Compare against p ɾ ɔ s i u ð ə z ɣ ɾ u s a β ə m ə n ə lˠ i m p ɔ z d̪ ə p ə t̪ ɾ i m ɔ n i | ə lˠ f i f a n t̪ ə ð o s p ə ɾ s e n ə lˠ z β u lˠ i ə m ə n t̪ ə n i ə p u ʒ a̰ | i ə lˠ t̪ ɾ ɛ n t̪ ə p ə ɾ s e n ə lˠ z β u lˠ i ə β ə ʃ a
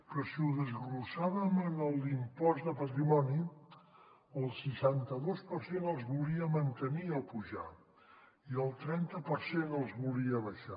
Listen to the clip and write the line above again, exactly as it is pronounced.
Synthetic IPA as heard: p ɾ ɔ s i u ð ə z ɣ ɾ u s a β ə m ə n ə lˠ i m p ɔ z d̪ ə p ə t̪ ɾ i m ɔ n i | ə lˠ s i ʃ a n t̪ ə ð o s p ə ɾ s e n ə lˠ z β u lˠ i ə m ə n t̪ ə n i ə p u ʒ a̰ | i ə lˠ t̪ ɾ ɛ n t̪ ə p ə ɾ s e n ə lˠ z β u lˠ i ə β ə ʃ a

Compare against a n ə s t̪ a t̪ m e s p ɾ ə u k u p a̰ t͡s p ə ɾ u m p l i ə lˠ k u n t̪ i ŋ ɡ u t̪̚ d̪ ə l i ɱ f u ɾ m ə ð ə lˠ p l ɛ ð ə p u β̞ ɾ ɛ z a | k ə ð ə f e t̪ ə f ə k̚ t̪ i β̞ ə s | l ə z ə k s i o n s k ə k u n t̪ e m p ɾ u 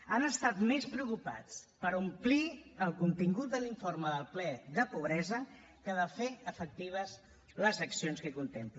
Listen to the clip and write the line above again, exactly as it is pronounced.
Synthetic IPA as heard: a n ə s t̪ a t̪ m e s p ɾ ə u k u p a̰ t͡s p ə ɾ u m p l i ə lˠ k u n t̪ i ŋ ɡ u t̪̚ d̪ ə l i ɱ f o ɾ m ə ð ə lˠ p l ɛ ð ə p u β̞ ɾ ɛ z ə | k ə ð ə f e ə f ə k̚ t̪ i β̞ ə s | l ə z ə k s i o n s k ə k u n t̪ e m p l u

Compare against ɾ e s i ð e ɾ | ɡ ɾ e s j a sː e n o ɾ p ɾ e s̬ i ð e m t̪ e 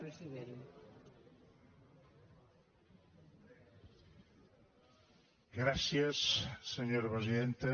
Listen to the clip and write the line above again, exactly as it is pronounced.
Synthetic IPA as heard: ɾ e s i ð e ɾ | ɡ ɾ a s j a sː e ɲ o ɾ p ɾ e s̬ i ð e n t̪ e

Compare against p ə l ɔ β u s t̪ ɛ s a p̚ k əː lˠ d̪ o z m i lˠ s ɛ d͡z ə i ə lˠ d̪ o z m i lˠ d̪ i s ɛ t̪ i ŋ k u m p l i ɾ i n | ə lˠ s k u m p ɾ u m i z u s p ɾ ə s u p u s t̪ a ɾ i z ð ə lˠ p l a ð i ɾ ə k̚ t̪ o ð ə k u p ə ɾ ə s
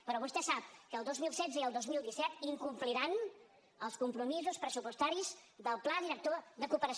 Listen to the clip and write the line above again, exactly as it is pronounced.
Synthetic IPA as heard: p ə ɾ ɔ β u s t̪ ɛ s a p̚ k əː lˠ d̪ o z m i lˠ s ɛ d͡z ə i ə lˠ d̪ o z m i lˠ d̪ i s ɛ t̪ i ŋ k u m p l i ɾ a n | ə lˠ s k u m p ɾ u m i z u s p ɾ ə s u p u s t̪ a ɾ i z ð ə lˠ p l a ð i ɾ ə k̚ t̪ o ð ə k u p ə ɾ ə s

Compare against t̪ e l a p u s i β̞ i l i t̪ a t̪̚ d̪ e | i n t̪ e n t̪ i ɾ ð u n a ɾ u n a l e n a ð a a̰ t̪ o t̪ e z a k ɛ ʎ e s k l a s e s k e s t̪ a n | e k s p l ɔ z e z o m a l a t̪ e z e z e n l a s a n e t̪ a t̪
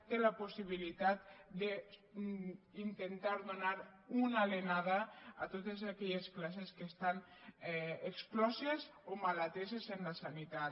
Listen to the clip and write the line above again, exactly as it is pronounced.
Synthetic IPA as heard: t̪ e l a p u s i β̞ i l i t̪ a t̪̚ d̪ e | i n t̪ e n t̪ a ɾ ð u n a ɾ u n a l e n a ð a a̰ t̪ o t̪ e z a k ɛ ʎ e s k l a s e s k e s t̪ a n | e k s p l ɔ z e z o m a l a t̪ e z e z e n l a s a n i t̪ a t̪

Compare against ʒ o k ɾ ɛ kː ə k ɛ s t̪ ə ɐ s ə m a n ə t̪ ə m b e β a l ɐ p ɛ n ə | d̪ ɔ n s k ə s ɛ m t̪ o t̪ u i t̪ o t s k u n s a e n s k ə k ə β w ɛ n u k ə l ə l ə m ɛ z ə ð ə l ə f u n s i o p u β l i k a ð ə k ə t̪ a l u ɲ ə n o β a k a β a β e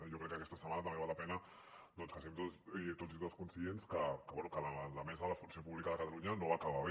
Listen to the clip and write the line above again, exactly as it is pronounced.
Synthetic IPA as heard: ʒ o k ɾ ɛ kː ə k ɛ s t̪ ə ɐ s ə m a n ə t̪ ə m b e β a l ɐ p ɛ n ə | d̪ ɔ n s k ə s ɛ m t̪ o t̪ o i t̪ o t s k u n s i e n s k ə k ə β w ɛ n u k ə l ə l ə m ɛ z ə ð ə l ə f u n s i o p u β l i k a ð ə k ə t̪ a l u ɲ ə n o β a k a β a β e

